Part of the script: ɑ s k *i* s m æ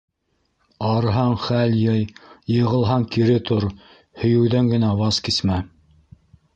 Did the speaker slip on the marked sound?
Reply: no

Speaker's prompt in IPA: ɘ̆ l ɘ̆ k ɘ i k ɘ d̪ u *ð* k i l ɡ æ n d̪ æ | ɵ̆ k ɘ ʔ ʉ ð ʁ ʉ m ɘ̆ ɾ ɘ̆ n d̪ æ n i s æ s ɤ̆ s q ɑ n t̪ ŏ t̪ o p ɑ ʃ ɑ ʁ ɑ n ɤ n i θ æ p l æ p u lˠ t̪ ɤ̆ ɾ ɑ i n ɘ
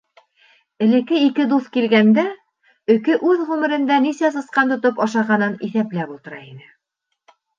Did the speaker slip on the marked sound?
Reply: yes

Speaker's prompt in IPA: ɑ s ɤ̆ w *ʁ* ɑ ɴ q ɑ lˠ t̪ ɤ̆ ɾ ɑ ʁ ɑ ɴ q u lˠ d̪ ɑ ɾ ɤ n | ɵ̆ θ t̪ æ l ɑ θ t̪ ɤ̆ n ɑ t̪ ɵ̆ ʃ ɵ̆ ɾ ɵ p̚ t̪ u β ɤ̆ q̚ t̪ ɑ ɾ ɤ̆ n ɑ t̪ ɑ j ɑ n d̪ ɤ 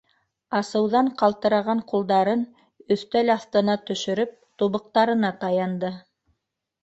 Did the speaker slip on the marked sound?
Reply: yes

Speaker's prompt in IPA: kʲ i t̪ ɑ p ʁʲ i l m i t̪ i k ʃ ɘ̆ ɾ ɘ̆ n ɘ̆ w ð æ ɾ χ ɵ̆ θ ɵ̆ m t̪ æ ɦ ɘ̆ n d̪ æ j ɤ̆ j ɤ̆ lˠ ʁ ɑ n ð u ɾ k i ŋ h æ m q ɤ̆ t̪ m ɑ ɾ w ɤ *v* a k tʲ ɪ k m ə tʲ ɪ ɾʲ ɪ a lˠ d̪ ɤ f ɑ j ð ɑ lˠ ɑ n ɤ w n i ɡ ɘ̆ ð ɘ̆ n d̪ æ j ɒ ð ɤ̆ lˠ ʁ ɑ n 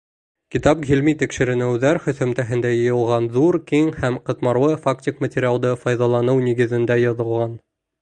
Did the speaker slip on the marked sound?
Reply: yes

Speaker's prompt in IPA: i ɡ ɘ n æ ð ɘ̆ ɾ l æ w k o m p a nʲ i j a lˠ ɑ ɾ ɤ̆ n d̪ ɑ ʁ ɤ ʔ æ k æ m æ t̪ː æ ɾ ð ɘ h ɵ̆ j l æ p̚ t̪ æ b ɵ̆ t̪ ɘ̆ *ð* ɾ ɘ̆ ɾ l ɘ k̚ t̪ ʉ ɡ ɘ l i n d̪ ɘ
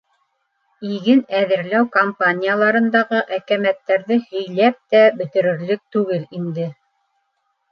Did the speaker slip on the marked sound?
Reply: yes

